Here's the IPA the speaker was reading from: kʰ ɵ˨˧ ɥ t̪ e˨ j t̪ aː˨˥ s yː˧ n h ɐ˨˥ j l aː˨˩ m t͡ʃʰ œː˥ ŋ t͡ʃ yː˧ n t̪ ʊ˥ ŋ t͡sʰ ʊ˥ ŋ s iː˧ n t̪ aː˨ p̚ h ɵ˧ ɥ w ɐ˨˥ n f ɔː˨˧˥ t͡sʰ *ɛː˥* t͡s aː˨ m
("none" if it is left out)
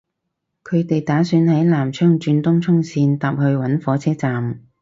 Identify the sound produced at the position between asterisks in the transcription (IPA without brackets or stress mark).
ɛː˥